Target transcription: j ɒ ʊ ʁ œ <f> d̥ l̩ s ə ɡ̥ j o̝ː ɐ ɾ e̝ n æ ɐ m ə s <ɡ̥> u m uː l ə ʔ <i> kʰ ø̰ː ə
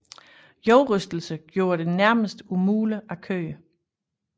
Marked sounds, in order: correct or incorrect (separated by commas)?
incorrect, incorrect, incorrect